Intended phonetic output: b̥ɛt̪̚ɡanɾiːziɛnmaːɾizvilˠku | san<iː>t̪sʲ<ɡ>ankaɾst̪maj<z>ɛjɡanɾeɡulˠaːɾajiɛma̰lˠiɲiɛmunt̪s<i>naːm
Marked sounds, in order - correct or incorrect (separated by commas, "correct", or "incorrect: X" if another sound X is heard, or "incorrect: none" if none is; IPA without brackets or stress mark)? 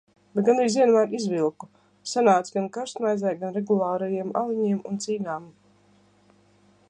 incorrect: aː, correct, correct, incorrect: iː